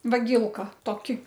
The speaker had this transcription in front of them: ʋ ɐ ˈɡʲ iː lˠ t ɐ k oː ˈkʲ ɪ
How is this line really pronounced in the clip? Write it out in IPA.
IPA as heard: ʋ ɐ ˈɡʲ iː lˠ k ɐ t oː ˈkʲ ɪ